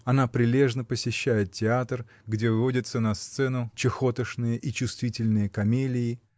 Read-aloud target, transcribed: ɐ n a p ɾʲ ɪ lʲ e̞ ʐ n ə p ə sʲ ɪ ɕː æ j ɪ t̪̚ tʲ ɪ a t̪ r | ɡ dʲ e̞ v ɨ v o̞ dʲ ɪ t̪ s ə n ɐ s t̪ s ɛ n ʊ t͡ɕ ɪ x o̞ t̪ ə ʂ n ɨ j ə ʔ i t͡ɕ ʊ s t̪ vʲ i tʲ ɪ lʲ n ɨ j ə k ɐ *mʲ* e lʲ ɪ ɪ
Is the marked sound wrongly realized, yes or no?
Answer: no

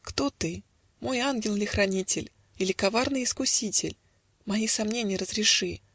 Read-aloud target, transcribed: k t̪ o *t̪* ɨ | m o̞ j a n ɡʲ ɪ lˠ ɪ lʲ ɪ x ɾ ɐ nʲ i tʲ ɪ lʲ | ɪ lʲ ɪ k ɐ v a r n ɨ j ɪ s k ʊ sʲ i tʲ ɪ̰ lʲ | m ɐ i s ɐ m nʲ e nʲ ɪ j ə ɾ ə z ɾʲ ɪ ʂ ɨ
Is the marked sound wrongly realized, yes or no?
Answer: no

